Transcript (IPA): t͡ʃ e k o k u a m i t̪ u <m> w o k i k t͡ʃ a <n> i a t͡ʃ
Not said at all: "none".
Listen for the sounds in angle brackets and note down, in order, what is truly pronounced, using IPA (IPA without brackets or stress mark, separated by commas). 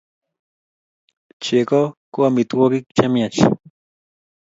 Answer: none, m